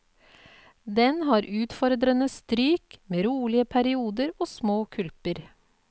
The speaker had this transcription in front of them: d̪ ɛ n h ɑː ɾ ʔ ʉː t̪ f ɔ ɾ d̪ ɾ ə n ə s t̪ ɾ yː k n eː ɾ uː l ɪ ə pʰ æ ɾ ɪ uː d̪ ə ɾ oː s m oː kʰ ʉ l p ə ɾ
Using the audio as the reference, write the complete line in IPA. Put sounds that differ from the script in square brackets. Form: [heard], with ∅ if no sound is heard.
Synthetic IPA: d̪ ɛ n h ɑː ɾ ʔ ʉː t̪ f ɔ ɾ d̪ ɾ ə n ə s t̪ ɾ yː k [m] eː ɾ uː l ɪ ə pʰ æ ɾ ɪ uː d̪ ə ɾ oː s m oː kʰ ʉ l p ə ɾ